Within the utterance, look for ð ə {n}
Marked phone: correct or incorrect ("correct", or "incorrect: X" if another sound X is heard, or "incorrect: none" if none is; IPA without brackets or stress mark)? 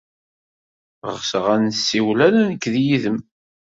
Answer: incorrect: m